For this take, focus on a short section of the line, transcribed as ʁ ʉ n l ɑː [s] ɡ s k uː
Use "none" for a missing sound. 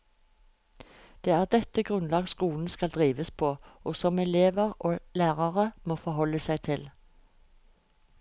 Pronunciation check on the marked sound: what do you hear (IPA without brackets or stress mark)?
none